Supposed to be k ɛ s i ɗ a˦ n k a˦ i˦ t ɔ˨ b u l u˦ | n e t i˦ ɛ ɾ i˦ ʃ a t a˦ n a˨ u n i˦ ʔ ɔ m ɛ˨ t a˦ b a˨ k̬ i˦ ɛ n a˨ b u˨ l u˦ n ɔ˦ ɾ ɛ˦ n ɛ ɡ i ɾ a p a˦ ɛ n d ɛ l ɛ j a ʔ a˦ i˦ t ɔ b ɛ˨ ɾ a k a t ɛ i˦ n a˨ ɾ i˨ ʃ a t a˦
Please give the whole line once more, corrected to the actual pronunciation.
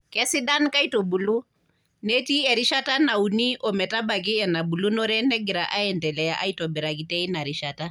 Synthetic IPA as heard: k ɛ s i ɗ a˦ n k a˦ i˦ t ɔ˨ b u l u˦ | n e t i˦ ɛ ɾ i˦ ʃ a t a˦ n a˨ u n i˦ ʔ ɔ m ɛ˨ t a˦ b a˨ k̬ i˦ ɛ n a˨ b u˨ l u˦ n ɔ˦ ɾ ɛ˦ n ɛ ɡ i ɾ a ʔ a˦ ɛ n d ɛ l ɛ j a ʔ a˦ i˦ t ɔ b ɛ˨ ɾ a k i t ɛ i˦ n a˨ ɾ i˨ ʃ a t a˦